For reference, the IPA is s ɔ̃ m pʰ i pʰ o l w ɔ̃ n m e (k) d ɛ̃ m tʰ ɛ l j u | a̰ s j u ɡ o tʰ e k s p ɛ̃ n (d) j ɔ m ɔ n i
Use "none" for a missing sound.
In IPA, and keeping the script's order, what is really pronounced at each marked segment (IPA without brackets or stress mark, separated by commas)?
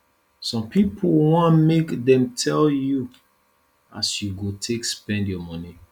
k, d